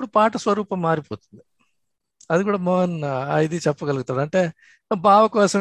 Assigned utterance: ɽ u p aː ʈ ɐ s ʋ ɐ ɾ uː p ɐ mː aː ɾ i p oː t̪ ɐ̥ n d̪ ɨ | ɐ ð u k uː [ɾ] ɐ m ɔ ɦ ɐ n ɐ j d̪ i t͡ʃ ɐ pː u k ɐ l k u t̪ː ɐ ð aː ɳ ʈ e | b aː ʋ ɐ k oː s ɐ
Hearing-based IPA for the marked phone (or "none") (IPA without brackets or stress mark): ɽ